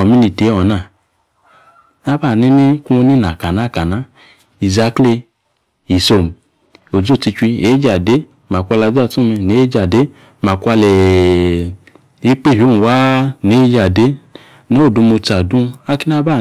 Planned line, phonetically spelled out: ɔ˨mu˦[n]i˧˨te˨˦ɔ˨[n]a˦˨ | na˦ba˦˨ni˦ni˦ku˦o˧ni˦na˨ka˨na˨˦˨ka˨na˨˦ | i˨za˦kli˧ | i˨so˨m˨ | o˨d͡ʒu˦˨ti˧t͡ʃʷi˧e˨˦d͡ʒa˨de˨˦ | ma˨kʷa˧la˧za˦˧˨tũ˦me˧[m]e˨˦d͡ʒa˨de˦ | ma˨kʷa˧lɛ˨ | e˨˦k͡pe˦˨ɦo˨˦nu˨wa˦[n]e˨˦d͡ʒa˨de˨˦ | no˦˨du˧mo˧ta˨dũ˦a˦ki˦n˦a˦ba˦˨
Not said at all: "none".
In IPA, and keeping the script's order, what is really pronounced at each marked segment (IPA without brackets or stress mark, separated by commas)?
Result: n, n, n, n